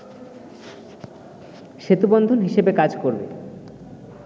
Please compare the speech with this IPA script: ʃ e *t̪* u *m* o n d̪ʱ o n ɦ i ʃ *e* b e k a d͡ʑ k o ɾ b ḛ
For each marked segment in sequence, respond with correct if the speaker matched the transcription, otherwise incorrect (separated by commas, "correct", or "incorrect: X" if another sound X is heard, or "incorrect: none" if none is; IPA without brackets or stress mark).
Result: correct, incorrect: b, correct